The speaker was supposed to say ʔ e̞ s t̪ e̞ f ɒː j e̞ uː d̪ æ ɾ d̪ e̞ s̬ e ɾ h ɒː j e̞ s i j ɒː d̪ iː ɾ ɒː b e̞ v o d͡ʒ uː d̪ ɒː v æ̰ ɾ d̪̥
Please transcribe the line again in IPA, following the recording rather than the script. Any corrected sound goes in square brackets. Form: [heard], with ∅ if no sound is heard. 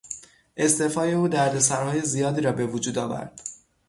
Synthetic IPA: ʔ e̞ s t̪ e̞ f ɒː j e̞ uː d̪ æ ɾ d̪ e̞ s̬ [æ] ɾ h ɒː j e̞ [z] i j ɒː d̪ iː ɾ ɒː b e̞ v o d͡ʒ uː d̪ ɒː v æ̰ ɾ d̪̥